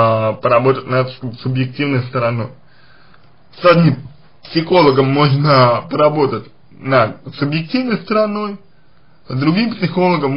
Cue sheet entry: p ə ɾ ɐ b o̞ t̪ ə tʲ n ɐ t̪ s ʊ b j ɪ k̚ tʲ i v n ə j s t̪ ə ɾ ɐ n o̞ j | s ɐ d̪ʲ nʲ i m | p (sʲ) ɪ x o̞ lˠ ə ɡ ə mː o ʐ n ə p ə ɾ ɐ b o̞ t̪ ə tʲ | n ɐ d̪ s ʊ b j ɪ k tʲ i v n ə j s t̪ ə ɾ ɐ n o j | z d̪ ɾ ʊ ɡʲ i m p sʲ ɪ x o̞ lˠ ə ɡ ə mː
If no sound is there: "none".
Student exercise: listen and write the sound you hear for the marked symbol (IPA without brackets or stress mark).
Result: sʲ